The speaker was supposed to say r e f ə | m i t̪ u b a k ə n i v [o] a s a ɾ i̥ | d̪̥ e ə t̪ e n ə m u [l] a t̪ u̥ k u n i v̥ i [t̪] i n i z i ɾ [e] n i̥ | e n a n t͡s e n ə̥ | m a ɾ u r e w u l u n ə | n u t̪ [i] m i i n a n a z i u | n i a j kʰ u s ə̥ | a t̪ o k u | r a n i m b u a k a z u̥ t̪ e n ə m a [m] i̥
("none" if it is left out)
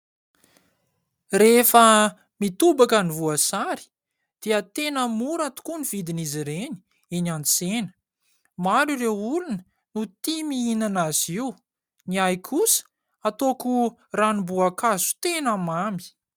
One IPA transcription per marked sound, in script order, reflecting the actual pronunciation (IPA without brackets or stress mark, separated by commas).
u, ɾ, d̪, e, i, m